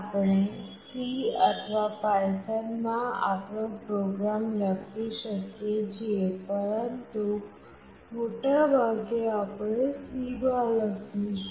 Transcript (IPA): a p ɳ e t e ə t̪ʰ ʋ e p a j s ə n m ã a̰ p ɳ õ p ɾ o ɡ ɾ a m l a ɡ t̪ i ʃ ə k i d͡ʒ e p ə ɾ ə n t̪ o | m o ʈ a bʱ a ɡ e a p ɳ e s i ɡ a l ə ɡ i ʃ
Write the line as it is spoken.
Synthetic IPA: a p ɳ e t i ə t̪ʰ ʋ a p a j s ə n m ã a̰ p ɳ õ p ɾ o ɡ ɾ a m l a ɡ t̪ i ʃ ə k e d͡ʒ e p ə ɾ ə n t̪ u | m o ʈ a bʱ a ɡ e a p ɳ e s i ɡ a l ə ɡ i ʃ